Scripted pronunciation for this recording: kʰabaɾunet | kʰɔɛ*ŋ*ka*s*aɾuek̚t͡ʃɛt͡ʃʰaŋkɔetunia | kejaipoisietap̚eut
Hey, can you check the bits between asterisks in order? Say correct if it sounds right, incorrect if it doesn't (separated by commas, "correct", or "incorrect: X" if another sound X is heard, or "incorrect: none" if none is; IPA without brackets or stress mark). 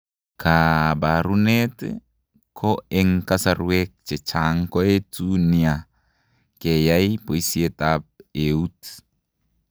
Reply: correct, correct